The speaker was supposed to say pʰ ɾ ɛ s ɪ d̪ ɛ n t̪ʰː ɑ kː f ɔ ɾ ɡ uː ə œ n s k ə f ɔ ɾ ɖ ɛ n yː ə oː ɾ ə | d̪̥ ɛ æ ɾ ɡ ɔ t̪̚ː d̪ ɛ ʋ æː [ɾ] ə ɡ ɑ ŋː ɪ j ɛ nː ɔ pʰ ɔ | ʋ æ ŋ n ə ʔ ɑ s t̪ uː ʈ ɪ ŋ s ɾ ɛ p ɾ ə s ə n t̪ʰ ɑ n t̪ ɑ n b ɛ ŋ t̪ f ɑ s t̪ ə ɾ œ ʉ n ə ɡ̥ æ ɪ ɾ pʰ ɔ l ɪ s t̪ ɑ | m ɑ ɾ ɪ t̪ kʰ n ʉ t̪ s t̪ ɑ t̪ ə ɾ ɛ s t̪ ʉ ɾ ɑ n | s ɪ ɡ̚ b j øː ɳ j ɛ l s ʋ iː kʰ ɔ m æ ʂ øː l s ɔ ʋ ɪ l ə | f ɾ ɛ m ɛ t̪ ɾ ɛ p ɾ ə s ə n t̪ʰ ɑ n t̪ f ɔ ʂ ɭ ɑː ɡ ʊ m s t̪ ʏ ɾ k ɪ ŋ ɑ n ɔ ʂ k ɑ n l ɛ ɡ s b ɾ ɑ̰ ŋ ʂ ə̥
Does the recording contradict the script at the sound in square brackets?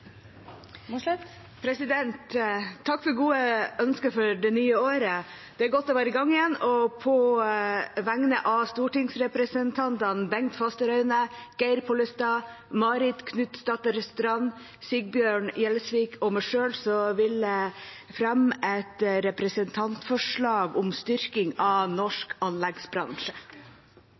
no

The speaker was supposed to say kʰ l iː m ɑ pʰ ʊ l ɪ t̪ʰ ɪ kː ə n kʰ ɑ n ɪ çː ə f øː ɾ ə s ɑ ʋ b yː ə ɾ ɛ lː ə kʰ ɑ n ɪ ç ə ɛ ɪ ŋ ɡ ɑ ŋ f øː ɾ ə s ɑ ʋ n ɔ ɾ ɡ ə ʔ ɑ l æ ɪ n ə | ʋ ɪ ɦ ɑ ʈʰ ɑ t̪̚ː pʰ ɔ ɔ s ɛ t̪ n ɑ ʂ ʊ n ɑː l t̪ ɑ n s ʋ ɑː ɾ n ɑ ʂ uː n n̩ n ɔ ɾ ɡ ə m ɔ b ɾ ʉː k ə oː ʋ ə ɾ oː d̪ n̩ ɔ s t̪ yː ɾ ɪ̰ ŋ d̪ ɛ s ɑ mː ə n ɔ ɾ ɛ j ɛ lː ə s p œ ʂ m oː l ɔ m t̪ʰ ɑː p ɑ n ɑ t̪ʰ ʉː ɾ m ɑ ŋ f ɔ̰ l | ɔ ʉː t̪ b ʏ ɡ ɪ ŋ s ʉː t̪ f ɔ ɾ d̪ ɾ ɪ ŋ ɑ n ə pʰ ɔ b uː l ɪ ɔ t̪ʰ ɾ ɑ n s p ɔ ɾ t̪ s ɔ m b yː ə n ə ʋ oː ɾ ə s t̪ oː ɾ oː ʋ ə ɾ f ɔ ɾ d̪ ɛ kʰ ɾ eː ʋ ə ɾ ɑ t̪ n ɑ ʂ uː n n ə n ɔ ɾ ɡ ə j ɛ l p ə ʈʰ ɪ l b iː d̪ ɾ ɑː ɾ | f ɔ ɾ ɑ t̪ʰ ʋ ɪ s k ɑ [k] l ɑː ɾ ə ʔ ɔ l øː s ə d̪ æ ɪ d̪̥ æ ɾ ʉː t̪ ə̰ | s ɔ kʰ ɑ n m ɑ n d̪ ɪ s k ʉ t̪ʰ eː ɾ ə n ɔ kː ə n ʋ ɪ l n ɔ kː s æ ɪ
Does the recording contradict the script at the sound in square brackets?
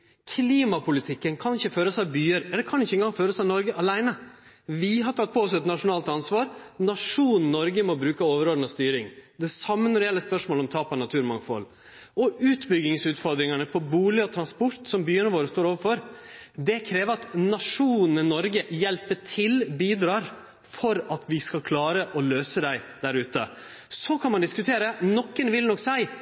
yes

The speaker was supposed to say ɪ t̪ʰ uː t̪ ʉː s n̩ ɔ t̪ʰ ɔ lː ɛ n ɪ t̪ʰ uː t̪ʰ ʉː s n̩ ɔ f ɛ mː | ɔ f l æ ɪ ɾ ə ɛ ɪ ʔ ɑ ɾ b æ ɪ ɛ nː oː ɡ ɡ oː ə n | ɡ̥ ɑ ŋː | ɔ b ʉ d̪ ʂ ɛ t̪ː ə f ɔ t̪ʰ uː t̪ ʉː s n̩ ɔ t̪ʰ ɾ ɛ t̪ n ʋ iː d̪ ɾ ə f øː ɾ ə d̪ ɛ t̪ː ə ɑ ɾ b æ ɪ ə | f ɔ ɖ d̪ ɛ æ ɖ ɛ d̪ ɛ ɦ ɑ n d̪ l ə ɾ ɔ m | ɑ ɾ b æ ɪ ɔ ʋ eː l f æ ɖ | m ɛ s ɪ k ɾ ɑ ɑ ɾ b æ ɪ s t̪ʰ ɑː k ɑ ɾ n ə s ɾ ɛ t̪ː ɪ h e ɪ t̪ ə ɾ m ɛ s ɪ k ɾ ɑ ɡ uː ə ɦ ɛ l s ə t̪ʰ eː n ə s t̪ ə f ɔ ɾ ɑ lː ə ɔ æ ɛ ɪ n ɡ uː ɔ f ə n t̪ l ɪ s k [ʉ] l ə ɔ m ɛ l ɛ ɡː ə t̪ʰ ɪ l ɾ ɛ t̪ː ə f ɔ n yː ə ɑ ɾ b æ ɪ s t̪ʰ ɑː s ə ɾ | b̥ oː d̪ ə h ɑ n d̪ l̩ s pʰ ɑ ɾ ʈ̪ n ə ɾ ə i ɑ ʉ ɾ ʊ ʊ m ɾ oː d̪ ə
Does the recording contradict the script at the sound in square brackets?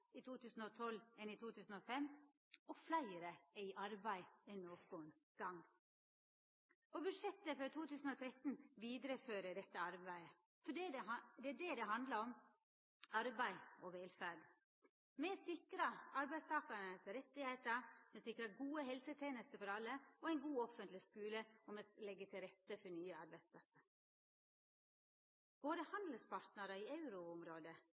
yes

